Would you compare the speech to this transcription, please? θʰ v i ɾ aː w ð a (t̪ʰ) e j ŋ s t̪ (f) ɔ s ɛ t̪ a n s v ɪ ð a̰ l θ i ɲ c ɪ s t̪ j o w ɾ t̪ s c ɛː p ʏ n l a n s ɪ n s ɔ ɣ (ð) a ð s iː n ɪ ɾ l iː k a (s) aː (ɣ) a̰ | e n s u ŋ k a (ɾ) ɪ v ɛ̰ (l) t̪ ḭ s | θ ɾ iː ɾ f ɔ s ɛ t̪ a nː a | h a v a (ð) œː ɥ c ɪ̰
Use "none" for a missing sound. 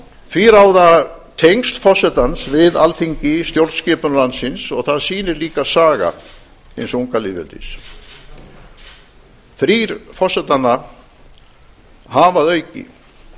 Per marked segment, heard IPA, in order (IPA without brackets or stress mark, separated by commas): t̪ʰ, f, θ, s, ɣ, l, l, ð